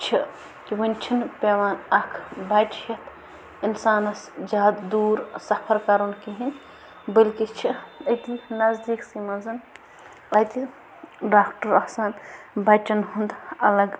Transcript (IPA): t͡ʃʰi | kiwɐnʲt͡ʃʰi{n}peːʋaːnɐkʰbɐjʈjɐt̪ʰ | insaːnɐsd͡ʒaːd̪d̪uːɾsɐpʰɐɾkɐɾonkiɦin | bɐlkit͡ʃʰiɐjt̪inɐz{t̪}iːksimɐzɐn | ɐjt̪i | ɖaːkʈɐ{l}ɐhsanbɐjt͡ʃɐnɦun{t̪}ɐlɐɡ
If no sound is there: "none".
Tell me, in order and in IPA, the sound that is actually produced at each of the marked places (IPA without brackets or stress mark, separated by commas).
n, d̪, ɾ, d̪